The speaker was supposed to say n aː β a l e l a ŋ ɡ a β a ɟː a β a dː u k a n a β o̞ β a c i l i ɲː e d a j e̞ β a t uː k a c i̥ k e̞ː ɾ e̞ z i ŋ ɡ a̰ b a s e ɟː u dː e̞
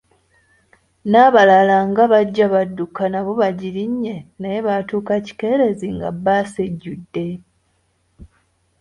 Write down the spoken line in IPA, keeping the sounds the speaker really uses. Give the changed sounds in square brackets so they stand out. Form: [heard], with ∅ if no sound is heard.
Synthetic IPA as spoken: n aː β a l [a] l a ŋ ɡ a β a ɟː a β a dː u k a n a β o̞ β a [ɟ] i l i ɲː e [n] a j e̞ β a t uː k a c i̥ k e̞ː ɾ e̞ z i ŋ ɡ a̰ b a s e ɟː u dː e̞